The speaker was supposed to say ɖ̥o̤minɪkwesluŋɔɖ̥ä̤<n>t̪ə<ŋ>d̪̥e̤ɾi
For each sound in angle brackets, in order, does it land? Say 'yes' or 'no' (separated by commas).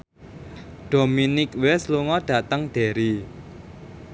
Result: no, yes